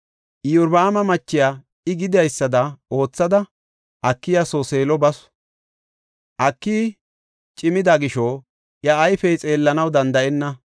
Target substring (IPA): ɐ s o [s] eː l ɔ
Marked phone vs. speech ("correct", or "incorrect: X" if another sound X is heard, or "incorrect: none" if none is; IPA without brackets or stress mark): correct